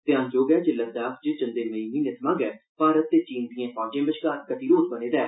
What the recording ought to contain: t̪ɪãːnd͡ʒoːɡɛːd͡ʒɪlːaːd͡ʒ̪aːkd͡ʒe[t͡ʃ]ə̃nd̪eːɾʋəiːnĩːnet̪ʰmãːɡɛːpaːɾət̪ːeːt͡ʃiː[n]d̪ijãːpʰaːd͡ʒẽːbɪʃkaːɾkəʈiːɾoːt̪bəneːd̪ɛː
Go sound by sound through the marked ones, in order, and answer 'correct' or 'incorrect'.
correct, correct

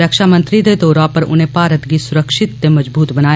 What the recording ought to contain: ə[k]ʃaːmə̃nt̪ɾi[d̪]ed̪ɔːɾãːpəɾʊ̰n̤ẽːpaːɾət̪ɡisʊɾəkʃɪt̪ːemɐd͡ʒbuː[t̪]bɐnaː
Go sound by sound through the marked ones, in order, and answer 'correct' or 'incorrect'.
correct, correct, correct

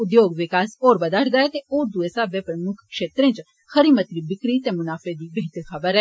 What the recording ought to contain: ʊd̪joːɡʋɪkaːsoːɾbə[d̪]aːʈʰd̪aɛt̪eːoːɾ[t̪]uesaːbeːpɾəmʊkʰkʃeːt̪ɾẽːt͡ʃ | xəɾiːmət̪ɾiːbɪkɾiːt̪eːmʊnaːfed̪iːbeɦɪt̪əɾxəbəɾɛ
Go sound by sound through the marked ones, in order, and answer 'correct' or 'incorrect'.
correct, incorrect

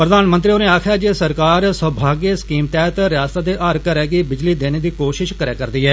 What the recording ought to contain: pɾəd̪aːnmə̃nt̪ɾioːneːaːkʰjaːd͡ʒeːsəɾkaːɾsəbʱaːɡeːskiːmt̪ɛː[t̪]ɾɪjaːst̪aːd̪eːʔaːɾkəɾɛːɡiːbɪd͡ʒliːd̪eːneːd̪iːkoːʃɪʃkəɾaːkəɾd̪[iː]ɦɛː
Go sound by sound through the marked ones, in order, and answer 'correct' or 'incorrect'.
correct, correct

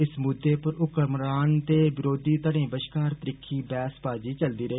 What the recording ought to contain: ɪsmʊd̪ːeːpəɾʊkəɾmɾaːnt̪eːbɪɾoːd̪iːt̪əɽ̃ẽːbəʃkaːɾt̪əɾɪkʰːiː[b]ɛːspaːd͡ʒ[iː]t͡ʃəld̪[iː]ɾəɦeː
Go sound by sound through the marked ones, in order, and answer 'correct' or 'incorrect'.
correct, correct, correct

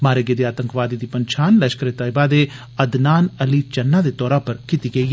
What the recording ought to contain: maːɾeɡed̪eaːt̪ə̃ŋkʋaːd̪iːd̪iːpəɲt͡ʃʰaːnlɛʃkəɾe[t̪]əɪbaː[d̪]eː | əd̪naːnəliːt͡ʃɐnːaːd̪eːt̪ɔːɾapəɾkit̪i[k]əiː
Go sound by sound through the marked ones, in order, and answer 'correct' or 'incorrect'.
correct, correct, incorrect

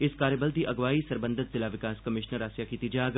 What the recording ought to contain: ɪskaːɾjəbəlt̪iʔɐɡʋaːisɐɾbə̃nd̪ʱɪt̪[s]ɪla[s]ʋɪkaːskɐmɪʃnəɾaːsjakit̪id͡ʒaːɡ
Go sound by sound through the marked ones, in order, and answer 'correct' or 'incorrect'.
incorrect, incorrect

